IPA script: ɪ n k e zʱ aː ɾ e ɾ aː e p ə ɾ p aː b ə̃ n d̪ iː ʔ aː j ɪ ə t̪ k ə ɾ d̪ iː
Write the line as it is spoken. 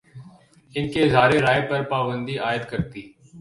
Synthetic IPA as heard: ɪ n k e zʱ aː ɾ e ɾ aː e p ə ɾ p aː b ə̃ n d̪ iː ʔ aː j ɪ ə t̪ k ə ɾ t̪ iː

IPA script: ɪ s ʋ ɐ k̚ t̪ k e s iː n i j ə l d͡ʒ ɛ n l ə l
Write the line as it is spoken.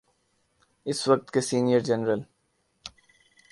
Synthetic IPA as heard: ɪ s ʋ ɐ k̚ t̪ k e s iː n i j ə ɾ d͡ʒ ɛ n ɾ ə l

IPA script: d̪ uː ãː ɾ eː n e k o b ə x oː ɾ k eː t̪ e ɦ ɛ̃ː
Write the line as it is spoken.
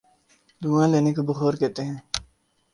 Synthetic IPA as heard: d̪ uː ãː l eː n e k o b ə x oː ɾ k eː t̪ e ɦ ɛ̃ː

